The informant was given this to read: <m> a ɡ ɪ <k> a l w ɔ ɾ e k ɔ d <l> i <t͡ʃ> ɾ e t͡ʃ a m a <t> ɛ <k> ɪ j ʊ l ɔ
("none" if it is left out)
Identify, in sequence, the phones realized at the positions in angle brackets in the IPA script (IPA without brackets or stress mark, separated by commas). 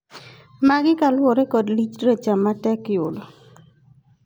m, k, l, t͡ʃ, t, k